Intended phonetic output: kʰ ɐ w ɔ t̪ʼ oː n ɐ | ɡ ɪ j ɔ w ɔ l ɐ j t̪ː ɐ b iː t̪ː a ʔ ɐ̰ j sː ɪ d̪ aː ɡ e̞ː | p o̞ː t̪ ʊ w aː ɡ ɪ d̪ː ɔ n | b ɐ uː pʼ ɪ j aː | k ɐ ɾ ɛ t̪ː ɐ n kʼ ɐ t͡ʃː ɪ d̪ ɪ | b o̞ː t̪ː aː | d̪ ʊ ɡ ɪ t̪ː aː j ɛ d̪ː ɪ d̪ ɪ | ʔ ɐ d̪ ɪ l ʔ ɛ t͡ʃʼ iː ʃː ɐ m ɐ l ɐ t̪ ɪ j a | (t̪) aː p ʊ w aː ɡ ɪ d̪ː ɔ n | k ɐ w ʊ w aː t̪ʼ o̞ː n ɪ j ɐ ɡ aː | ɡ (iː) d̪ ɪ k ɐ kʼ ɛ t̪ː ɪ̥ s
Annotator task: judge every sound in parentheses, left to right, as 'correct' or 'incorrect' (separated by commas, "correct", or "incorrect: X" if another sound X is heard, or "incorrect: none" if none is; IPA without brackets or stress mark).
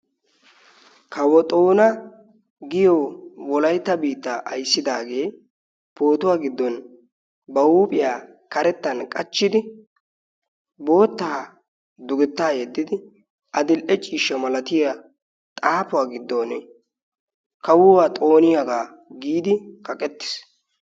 incorrect: t̪ʼ, correct